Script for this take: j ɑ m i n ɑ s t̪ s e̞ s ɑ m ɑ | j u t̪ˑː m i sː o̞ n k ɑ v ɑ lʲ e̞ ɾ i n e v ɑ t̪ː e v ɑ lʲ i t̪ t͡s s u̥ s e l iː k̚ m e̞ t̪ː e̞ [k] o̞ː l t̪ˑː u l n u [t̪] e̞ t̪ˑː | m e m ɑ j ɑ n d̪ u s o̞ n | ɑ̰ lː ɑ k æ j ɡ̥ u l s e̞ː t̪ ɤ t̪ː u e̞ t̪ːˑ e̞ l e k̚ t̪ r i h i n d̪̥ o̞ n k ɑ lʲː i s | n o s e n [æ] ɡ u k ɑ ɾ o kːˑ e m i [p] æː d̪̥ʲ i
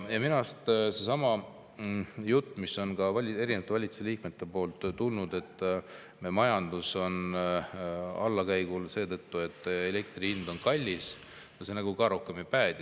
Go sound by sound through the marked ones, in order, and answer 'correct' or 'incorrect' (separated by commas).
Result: incorrect, incorrect, correct, correct